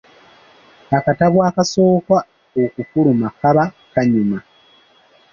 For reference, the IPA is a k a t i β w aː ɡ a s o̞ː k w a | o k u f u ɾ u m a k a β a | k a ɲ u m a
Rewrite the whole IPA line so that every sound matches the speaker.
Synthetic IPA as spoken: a k a t a β w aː k a s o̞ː k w a | o k u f u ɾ u m a k a β a | k a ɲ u m a